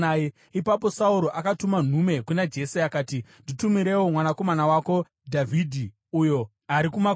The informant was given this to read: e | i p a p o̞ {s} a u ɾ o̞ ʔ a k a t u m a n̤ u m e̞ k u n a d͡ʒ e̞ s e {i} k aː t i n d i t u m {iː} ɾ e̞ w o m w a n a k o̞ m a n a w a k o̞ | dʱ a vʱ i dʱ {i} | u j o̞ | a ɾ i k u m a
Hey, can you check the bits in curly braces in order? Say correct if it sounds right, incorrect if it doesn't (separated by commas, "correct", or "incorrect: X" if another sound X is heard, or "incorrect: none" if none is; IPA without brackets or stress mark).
correct, incorrect: a, incorrect: i, correct